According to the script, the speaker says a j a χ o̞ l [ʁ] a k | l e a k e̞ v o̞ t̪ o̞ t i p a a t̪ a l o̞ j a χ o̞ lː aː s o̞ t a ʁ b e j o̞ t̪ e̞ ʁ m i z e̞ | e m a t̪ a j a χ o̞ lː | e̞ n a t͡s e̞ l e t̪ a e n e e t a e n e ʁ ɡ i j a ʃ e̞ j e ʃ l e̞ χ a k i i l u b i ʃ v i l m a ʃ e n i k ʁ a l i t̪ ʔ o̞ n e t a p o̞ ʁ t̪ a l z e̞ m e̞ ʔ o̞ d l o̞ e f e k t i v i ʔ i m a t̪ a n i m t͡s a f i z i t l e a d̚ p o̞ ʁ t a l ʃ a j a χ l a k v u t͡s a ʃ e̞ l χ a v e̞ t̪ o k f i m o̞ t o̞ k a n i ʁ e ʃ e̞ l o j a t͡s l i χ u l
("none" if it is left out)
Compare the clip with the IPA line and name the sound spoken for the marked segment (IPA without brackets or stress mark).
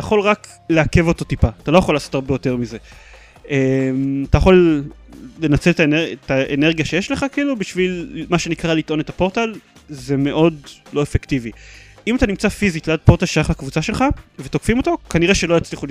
ʁ